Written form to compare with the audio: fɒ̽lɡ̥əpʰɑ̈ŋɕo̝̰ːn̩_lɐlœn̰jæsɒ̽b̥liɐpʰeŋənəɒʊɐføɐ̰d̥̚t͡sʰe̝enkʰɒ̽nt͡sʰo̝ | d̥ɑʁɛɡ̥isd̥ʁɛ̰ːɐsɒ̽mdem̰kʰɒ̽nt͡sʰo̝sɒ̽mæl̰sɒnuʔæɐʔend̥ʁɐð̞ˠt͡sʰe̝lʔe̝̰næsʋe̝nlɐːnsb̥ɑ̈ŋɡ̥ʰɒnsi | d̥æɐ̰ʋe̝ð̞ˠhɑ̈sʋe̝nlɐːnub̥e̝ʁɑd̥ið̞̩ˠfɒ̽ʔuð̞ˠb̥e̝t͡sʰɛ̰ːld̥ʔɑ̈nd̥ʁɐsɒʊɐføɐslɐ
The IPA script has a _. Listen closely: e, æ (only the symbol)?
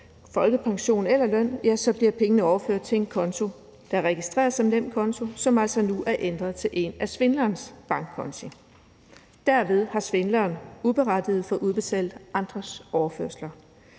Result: e